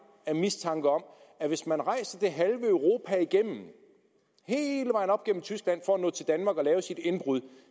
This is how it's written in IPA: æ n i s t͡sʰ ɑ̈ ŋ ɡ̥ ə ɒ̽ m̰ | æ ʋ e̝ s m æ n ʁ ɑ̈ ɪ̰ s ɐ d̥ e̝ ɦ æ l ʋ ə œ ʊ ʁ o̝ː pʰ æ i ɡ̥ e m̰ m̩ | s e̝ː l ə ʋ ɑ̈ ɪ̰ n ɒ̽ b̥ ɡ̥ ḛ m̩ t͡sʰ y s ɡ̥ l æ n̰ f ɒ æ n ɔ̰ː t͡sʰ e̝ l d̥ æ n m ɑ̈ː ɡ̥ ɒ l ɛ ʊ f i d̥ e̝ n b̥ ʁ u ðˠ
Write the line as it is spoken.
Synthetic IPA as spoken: æ m i s t͡sʰ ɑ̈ ŋ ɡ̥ ə ɒ̽ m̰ | æ ʋ e̝ s m æ n ʁ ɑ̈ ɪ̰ s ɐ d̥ e̝ ɦ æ l ʋ ə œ ʊ ʁ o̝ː pʰ æ i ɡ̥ e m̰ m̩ | h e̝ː l ə ʋ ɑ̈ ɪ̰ n ɒ̽ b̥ ɡ̥ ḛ m̩ t͡sʰ y s ɡ̥ l æ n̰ f ɒ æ n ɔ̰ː t͡sʰ e̝ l d̥ æ n m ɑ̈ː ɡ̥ ɒ l ɛː ʊ s i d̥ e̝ n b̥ ʁ u ðˠ